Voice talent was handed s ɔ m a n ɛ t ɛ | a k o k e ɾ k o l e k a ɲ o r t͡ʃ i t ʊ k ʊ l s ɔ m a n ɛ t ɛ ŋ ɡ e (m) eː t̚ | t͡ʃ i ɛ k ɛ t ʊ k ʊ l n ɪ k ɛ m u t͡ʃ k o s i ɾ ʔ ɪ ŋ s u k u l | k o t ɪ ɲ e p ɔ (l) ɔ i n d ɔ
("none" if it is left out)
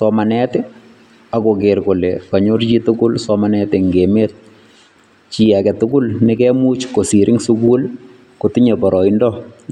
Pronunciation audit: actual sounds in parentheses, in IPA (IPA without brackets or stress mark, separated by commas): m, ɾ